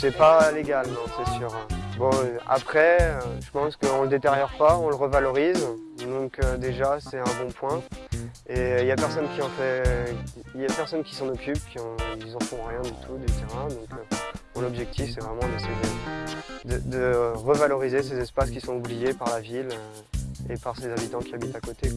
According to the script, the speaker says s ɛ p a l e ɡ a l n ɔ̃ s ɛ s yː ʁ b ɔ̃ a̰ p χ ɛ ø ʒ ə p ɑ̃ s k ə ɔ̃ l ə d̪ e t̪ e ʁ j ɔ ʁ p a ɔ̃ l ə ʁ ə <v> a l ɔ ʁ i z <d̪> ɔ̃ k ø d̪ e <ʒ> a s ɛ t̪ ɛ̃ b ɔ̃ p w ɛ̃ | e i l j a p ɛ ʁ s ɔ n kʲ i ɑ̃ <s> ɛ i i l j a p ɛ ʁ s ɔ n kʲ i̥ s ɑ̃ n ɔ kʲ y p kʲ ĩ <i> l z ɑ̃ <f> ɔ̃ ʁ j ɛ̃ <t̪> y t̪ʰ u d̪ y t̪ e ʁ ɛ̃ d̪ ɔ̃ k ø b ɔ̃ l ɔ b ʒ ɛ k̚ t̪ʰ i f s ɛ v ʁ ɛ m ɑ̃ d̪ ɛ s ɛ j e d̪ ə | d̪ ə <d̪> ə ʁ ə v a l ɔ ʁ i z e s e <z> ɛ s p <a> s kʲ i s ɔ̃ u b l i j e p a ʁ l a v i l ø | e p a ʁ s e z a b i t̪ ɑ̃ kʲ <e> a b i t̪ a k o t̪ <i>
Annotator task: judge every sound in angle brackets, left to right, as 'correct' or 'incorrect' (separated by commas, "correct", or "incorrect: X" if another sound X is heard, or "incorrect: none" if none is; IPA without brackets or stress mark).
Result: correct, correct, correct, incorrect: f, correct, correct, incorrect: d̪, correct, correct, correct, incorrect: i, incorrect: e